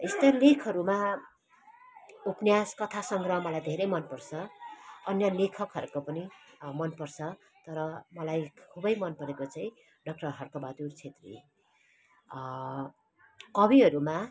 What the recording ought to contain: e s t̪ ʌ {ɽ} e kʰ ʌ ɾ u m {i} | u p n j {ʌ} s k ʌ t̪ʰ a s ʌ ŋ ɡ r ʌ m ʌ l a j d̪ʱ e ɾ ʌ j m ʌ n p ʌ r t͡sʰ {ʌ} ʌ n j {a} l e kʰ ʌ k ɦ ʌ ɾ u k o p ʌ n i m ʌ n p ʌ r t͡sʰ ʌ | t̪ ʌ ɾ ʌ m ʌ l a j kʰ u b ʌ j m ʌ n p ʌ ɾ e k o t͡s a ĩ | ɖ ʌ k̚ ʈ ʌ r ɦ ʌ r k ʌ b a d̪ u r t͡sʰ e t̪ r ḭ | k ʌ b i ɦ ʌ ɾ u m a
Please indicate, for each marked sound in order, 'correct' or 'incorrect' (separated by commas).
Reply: incorrect, incorrect, incorrect, correct, incorrect